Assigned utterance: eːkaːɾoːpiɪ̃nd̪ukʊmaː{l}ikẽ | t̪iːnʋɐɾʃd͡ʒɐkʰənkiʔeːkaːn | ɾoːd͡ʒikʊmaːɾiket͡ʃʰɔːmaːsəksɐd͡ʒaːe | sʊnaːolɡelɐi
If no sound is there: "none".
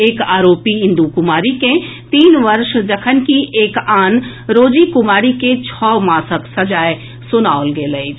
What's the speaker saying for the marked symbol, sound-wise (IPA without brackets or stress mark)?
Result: ɾ